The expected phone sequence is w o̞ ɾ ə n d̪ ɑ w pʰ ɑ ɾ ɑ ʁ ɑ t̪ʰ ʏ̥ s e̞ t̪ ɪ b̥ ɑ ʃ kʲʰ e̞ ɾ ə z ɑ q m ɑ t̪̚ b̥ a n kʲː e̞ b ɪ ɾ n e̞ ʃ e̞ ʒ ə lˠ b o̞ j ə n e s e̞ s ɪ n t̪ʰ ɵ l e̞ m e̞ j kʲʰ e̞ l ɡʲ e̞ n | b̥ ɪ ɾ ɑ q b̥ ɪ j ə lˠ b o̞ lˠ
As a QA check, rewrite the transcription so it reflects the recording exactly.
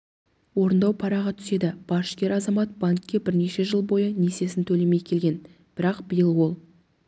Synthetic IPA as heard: w o̞ ɾ ə n d̪ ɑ w pʰ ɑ ɾ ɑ ʁ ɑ t̪ʰ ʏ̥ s e̞ d̪ ɪ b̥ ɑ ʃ kʲ e̞ ɾ ɑ z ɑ m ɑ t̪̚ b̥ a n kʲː e̞ b ɪ ɾ n e̞ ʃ e̞ ʒ ə lˠ b o̞ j ə n e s e̞ s ɪ n t̪ʰ ɵ l e̞ m e̞ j kʲʰ e̞ l ɡʲ e̞ n | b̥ ɪ ɾ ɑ q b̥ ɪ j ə lˠ w o̞ lˠ

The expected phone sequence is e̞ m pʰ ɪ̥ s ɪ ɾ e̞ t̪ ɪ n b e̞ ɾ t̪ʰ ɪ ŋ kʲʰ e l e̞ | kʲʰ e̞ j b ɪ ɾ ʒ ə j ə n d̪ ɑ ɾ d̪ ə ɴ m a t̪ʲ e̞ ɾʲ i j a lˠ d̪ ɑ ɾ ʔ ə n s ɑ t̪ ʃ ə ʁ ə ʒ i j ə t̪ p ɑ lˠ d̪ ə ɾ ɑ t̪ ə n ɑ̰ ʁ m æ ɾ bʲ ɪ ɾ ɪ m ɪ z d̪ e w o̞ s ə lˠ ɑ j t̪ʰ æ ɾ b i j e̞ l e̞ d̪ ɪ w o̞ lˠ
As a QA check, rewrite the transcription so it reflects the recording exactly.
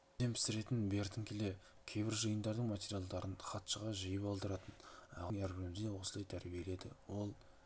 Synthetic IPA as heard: e̞ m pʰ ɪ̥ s ɪ ɾ e̞ t̪ ɪ n b e̞ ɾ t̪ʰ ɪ ŋ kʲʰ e l e̞ | kʲʰ e̞ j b ɪ ɾ ʒ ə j ə n d̪ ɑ ɾ d̪ ə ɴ m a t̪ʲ e̞ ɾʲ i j a lˠ d̪ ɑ ɾ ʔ ə n χ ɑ t̪ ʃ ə ʁ ɑ ʒ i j ə p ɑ lˠ d̪ ə ɾ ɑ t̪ ə n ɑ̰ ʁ ŋ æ ɾ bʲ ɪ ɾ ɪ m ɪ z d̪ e w o̞ s ə lˠ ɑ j t̪ʰ æ ɾ b i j e̞ l e̞ d̪ ɪ w o̞ lˠ

